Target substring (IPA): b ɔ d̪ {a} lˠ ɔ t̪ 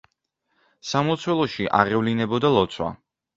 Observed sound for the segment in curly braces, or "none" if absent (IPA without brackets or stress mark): a